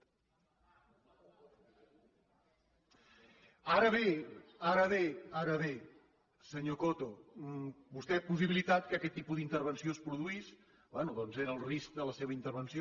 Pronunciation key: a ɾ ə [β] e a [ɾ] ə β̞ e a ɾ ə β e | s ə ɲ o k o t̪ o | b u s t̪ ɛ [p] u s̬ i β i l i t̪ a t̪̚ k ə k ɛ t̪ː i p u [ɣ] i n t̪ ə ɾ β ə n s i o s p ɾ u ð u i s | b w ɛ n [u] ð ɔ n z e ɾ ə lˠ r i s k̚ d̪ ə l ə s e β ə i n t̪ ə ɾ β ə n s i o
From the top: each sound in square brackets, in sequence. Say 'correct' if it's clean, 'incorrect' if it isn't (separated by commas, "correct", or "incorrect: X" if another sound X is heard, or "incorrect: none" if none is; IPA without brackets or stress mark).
correct, correct, correct, incorrect: ð, correct